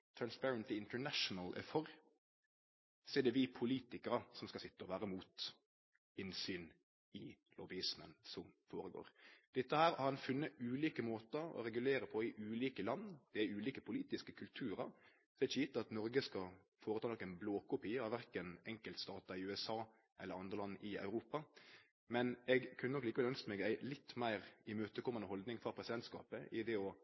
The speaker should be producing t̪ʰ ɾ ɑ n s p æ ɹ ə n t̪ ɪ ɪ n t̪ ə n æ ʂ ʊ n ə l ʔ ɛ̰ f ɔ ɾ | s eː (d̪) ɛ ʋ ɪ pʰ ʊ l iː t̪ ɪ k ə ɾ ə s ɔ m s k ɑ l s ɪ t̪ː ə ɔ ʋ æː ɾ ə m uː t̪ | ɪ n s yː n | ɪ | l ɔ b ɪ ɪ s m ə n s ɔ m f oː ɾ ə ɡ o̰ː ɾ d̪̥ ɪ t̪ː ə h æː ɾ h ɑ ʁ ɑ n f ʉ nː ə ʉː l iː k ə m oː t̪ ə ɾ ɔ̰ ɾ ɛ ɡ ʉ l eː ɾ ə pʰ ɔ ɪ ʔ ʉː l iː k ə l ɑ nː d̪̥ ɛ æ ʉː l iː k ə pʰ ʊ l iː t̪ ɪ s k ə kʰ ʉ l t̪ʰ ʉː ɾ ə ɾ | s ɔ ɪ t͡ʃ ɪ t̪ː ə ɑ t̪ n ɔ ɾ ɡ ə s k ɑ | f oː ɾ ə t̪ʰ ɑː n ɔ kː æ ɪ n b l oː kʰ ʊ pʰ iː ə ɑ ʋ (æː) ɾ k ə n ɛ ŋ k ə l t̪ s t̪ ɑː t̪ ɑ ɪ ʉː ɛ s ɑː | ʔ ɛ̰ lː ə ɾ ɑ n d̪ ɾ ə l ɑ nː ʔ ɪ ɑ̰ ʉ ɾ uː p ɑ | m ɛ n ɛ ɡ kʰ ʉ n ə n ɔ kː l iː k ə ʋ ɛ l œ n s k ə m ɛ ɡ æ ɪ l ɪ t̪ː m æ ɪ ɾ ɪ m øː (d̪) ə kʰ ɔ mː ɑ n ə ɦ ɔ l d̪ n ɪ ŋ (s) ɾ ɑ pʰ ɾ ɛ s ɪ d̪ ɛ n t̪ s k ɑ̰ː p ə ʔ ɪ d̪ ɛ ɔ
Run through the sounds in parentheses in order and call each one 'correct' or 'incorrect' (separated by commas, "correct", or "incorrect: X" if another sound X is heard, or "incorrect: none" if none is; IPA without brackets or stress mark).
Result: correct, incorrect: æ, incorrect: t̪, incorrect: f